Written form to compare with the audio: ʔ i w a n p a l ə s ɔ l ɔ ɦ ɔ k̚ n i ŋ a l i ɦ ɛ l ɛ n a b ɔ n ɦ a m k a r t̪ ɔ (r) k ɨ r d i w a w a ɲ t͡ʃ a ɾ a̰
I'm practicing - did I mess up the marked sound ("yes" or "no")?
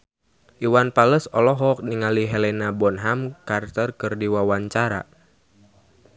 no